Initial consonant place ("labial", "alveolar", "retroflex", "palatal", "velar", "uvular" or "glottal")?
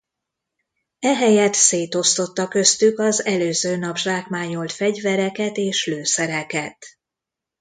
glottal